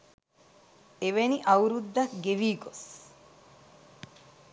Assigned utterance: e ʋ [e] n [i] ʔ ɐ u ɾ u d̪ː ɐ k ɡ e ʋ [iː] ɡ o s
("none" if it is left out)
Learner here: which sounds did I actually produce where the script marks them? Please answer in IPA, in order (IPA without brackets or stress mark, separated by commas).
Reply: e, i, iː